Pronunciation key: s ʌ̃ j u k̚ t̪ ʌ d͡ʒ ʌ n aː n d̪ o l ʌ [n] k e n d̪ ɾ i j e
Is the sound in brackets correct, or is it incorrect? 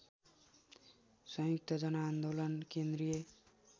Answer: correct